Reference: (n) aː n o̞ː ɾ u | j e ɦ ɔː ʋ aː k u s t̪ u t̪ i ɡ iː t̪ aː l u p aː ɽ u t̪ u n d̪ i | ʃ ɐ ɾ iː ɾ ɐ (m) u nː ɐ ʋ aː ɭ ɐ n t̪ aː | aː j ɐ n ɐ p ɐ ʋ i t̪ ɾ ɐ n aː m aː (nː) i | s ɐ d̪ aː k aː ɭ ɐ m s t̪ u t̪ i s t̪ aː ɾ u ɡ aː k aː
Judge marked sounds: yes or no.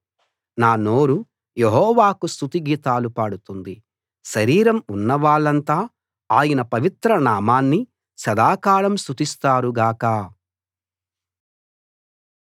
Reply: yes, yes, yes

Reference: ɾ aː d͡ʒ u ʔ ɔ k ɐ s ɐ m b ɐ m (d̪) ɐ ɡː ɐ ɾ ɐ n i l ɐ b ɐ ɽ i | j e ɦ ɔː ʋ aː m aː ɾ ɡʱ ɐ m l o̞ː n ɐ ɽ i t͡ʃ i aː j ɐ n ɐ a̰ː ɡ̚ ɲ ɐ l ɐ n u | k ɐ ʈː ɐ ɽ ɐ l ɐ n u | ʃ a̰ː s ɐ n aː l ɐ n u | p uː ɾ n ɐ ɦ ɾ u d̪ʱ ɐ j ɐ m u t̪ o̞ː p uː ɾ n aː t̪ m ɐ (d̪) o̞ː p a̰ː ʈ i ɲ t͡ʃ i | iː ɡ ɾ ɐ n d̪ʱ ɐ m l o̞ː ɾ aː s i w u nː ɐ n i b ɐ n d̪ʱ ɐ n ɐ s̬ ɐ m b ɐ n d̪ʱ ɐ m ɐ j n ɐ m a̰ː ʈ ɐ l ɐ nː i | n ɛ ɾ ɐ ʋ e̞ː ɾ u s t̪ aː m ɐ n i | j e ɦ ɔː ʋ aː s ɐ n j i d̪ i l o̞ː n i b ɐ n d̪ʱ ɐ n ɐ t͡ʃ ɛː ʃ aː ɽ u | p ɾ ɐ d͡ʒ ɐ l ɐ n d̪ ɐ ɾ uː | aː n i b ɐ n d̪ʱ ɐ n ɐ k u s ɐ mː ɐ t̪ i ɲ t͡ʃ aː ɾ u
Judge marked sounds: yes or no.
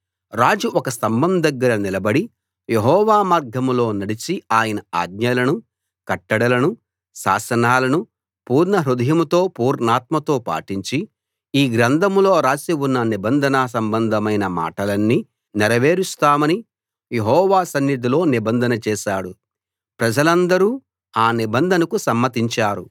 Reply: yes, no

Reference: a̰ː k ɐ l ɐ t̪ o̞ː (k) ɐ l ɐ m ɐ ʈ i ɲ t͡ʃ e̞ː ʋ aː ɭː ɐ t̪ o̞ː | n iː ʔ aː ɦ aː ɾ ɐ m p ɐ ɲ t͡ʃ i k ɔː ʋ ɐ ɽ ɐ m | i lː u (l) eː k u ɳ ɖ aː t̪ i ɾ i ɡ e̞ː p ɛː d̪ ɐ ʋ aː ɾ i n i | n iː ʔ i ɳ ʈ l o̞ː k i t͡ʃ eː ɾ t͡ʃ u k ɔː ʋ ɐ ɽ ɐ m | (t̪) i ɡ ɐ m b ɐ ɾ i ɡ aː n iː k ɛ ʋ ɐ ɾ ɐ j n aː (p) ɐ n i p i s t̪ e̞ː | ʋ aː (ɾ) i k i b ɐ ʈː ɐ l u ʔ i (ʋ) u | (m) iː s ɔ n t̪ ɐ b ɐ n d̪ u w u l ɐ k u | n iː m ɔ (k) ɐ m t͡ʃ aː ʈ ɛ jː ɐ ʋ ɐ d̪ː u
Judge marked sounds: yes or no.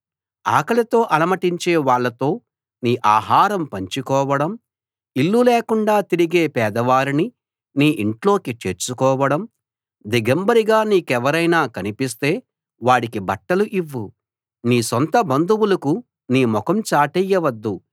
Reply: no, yes, no, no, no, no, no, yes

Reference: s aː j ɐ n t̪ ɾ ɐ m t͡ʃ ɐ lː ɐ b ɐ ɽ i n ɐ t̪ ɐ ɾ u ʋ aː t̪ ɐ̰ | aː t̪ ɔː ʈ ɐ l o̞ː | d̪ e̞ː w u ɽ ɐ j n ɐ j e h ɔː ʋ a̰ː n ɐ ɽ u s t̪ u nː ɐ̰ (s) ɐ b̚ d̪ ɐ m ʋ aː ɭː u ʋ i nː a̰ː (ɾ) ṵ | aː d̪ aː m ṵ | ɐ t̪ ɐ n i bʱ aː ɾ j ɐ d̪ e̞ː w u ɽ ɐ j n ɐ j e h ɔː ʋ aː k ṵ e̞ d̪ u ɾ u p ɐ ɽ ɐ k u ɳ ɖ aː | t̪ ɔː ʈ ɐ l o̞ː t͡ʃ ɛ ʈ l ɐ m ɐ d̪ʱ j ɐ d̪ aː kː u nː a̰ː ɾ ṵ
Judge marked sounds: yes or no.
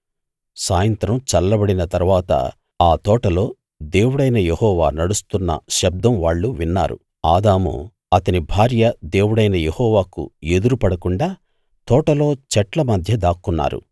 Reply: no, yes

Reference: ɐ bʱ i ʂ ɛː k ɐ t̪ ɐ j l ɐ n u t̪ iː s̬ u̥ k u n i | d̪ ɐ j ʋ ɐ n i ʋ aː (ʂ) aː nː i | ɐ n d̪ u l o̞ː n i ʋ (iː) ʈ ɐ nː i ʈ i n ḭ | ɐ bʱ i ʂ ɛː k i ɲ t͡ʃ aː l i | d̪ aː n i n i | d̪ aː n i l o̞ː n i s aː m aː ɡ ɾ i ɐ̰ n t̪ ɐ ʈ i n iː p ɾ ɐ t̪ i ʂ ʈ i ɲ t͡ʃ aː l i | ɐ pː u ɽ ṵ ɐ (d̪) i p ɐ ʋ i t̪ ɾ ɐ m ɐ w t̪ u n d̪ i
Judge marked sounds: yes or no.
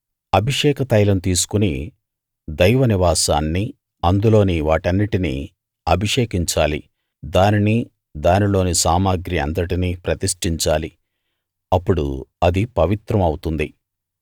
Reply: no, no, yes

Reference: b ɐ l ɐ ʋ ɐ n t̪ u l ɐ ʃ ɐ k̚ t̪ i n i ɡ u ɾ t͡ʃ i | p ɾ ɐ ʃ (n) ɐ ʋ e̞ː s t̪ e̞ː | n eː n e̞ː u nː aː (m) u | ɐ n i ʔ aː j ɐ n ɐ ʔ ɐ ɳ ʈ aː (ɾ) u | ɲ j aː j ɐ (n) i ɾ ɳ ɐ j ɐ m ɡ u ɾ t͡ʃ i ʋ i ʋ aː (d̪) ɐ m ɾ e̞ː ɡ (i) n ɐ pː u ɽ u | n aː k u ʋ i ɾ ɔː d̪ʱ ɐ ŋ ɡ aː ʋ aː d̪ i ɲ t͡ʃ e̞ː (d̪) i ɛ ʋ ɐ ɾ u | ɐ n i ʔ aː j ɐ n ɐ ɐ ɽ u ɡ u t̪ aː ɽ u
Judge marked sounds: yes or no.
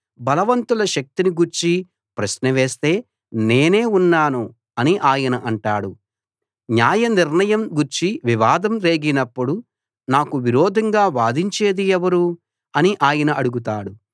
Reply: yes, no, no, yes, yes, yes, yes

